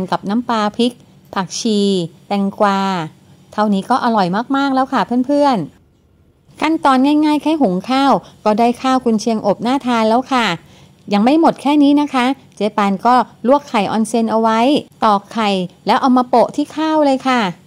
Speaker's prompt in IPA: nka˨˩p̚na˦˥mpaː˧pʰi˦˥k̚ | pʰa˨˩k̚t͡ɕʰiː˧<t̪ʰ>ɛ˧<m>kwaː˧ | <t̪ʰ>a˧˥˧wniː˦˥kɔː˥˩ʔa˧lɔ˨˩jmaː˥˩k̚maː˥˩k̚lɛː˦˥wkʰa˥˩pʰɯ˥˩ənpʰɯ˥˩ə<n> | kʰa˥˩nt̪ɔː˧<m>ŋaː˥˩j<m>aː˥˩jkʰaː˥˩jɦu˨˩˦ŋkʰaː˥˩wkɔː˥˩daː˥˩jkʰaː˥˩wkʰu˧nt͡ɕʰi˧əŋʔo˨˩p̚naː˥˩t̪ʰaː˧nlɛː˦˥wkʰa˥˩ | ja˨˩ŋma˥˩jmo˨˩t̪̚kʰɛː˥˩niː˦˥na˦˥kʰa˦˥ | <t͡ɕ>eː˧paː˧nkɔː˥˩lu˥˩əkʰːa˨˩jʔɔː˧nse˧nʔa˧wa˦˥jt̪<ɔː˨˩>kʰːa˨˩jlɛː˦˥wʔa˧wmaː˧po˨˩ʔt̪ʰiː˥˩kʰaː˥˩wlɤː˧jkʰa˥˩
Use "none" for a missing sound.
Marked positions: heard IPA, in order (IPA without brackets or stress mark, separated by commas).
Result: t̪, ŋ, t̪ʰ, n, n, ŋ, t͡ɕ, ɔː˨˩